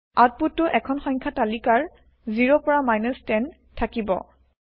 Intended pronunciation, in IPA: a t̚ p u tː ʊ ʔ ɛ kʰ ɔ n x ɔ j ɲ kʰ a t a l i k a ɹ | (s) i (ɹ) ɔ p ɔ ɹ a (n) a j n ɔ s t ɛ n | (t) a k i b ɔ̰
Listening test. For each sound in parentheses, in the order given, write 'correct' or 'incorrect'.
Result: incorrect: z, correct, incorrect: m, incorrect: tʰ

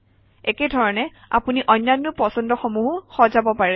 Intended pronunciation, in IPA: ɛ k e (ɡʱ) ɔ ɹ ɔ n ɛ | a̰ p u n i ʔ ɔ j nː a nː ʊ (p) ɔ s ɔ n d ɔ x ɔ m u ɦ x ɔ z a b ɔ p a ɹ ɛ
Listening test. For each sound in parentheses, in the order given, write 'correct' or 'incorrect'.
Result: incorrect: dʱ, correct

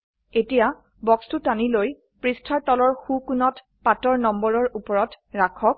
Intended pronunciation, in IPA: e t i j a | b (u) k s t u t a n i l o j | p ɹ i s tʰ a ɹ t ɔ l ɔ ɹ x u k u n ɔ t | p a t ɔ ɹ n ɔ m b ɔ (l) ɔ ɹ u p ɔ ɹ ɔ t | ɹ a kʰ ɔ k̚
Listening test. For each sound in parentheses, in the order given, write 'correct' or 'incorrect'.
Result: incorrect: ɔ, incorrect: ɹ

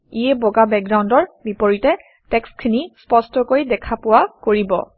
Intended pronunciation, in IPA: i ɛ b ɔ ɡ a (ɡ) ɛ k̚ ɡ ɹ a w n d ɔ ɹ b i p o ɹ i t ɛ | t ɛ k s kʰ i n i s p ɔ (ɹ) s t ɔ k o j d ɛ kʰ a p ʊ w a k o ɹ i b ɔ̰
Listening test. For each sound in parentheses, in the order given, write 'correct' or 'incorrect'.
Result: incorrect: b, incorrect: none

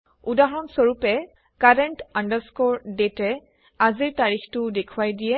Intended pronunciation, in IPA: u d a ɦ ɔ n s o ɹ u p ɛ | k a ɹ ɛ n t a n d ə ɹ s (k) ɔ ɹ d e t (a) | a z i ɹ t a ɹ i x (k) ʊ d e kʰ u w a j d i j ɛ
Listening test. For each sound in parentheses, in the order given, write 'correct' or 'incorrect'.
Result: correct, incorrect: ɛ, incorrect: t

